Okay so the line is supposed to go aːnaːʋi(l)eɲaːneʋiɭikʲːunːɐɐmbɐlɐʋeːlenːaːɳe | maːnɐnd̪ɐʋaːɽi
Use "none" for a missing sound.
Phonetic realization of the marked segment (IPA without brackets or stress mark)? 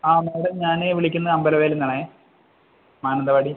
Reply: ɽ